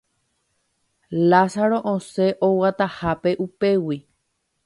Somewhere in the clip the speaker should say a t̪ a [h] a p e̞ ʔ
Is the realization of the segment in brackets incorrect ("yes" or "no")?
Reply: no